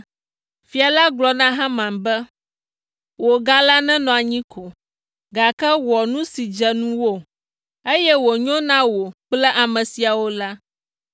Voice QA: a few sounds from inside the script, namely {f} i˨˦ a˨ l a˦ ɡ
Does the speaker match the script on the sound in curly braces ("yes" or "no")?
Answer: yes